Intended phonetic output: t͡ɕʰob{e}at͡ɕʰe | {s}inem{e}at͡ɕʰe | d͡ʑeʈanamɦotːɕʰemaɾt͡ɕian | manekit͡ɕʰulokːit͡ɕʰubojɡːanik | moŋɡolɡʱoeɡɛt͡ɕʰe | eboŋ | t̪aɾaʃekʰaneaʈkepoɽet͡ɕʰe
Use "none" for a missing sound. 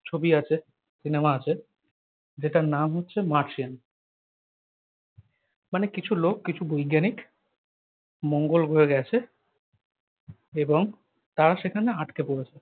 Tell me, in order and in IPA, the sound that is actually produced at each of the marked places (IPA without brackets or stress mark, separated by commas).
i, s, a